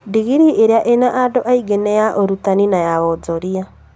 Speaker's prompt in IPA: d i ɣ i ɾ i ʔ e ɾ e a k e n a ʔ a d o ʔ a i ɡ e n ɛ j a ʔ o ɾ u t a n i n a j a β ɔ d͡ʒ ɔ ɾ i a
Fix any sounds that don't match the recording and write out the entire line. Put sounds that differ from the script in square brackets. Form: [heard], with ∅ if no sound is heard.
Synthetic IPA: d i ɣ i ɾ i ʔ e ɾ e a [ʔ] e n a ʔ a d o ʔ a i ɡ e n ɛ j a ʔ o ɾ u t a n i n a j a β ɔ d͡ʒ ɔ ɾ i a